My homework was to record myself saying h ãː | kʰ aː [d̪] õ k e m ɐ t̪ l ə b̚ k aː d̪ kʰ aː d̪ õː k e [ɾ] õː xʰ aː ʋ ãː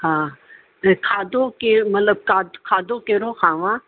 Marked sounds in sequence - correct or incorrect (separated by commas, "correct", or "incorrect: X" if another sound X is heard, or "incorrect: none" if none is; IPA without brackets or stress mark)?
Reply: correct, correct